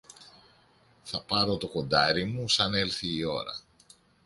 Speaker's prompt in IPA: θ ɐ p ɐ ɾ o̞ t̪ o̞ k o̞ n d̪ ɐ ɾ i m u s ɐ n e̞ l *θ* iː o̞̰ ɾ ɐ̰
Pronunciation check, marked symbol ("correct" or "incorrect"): correct